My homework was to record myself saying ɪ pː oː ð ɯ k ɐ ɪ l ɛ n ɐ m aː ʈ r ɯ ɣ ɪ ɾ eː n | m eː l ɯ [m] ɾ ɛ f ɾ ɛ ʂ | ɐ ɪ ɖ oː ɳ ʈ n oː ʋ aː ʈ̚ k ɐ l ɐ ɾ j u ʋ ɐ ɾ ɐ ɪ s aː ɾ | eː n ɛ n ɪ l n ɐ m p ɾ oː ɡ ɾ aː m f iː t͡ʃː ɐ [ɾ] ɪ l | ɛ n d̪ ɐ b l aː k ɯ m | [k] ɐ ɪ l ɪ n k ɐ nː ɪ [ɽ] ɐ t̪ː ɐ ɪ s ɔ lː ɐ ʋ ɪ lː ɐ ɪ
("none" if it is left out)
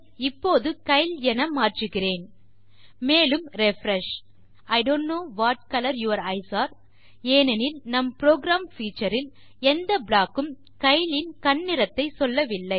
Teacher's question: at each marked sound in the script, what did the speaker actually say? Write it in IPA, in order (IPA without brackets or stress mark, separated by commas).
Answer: m, ɾ, k, ɾ